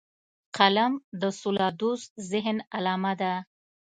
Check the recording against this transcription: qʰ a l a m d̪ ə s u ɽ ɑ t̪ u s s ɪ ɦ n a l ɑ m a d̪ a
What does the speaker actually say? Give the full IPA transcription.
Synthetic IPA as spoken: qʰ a l a m d̪ ə s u l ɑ d̪ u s z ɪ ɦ n a l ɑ m a d̪ a